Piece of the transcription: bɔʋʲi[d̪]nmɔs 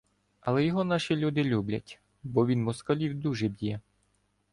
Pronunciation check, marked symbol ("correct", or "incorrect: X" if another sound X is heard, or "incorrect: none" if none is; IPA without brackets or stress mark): incorrect: none